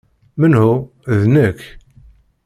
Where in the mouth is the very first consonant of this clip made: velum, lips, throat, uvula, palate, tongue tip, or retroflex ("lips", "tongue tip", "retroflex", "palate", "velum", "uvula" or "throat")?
lips